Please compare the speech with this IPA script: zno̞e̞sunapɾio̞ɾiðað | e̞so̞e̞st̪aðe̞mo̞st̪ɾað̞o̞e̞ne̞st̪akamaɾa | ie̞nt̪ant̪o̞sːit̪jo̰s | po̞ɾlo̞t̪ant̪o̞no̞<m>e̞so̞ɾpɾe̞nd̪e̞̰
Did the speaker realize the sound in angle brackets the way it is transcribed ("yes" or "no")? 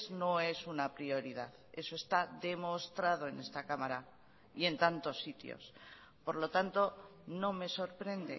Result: yes